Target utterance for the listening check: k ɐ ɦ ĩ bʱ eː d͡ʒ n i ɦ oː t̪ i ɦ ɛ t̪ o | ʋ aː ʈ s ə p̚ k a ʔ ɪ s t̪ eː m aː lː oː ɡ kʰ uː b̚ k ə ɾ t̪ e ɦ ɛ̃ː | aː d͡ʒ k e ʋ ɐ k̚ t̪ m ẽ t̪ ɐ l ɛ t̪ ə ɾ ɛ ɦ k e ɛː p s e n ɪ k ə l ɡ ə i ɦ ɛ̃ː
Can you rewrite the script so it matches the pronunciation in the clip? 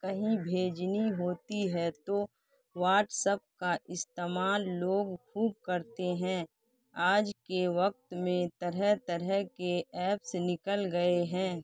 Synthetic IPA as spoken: k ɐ ɦ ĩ bʱ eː d͡ʒ n i ɦ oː t̪ i ɦ ɛ t̪ o | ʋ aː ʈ s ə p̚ k a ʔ ɪ s t̪ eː m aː lː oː ɡ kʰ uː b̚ k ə ɾ t̪ e ɦ ɛ̃ː | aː d͡ʒ k e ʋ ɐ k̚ t̪ m ẽ t̪ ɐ ɾ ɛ t̪ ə ɾ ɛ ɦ k e ɛː p s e n ɪ k ə l ɡ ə e ɦ ɛ̃ː